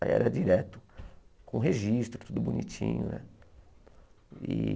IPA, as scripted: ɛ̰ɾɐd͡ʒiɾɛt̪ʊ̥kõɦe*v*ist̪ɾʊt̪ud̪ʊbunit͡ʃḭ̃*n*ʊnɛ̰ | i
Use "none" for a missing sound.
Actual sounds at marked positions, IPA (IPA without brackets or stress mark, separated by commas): ʒ, ɲ